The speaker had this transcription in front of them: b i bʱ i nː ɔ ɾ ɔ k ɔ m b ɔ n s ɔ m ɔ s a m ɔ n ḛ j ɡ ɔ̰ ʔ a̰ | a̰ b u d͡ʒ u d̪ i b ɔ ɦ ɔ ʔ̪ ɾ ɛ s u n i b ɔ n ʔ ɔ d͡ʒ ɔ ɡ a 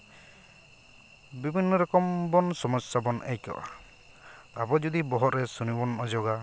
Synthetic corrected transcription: b i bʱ i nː ɔ ɾ ɔ k ɔ m b ɔ n s ɔ m ɔ s a b ɔ n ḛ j k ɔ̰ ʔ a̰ | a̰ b ɔ d͡ʒ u d̪ i b ɔ ɦ ɔ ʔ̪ ɾ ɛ s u n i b ɔ n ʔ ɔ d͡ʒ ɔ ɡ a